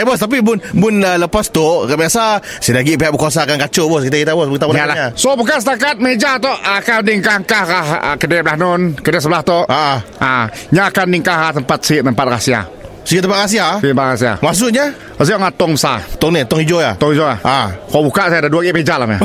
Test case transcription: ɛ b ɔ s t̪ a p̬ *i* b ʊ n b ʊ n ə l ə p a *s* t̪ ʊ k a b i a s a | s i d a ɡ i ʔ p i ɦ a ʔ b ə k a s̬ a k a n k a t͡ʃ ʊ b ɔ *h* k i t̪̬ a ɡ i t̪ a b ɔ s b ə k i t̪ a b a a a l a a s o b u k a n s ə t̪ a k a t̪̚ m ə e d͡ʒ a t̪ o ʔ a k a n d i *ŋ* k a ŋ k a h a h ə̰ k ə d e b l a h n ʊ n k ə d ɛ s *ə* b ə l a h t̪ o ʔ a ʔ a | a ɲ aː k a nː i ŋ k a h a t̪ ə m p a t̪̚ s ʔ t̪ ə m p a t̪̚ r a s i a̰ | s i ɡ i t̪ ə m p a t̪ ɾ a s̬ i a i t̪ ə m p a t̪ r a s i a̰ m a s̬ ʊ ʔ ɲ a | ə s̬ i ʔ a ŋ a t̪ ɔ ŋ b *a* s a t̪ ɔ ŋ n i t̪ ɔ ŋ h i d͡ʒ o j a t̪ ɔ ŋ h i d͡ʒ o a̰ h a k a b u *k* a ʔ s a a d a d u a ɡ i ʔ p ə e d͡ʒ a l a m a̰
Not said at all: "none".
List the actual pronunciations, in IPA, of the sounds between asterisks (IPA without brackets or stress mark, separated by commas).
i, s, s, ŋ, ə, ə, k